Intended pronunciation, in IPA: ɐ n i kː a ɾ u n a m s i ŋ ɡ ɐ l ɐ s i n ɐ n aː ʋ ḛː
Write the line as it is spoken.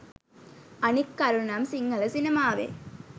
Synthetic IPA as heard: ɐ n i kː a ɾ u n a m s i ŋ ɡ ɐ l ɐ s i n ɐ m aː ʋ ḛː